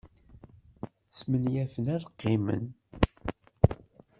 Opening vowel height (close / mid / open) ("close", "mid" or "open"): mid